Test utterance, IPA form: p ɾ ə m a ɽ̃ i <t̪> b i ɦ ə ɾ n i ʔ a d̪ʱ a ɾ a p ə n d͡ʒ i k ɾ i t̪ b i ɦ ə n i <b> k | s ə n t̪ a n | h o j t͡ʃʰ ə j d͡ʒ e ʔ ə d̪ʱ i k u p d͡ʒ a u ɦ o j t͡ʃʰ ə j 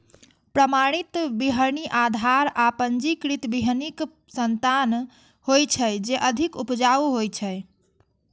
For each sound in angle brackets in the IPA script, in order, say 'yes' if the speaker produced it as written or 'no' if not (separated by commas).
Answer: yes, no